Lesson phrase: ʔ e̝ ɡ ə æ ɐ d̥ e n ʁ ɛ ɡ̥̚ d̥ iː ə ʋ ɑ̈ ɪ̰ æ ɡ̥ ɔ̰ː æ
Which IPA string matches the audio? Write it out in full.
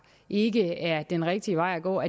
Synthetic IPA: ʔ e̝ ɡ ə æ ɐ d̥ e n ʁ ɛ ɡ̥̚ d̥ i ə ʋ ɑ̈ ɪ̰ æ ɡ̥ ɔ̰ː æ